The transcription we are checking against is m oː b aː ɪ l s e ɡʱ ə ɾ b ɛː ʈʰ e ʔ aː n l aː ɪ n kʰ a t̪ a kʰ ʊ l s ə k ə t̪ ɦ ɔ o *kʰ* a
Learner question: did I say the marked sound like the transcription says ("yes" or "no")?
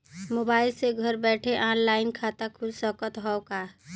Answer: no